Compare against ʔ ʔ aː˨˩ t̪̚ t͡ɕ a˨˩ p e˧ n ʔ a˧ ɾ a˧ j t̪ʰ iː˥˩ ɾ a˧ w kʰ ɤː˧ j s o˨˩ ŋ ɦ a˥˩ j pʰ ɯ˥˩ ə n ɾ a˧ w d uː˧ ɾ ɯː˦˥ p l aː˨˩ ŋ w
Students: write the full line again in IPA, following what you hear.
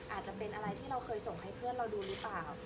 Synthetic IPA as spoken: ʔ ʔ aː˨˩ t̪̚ t͡ɕ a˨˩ p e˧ n ʔ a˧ ɾ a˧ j t̪ʰ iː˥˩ ɾ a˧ w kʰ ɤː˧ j s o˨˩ ŋ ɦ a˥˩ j pʰ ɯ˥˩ ə n ɾ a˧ w d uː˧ ɾ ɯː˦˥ p l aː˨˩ w